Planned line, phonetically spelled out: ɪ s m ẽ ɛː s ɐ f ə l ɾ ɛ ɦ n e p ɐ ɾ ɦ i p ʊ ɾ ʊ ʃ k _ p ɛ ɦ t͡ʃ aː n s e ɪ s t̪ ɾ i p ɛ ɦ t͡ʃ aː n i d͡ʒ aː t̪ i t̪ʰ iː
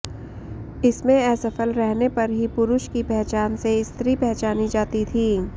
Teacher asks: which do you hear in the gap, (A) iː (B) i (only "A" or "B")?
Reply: B